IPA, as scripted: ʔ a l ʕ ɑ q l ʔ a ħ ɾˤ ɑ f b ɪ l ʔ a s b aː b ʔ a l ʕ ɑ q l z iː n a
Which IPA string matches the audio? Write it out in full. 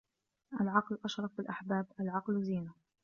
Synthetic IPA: ʔ a l ʕ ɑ q l ʔ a ʃ ɾˤ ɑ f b ɪ l ʔ a ħ b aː b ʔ a l ʕ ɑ q l z iː n a